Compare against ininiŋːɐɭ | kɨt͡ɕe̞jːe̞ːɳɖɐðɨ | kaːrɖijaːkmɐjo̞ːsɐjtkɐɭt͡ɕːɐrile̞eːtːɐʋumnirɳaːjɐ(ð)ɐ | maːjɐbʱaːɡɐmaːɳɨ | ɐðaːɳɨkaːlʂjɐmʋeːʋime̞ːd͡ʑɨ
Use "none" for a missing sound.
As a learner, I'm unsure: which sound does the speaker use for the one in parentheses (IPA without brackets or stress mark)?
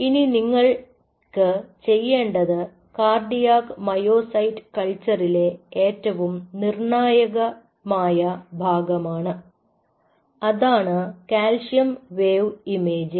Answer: ɣ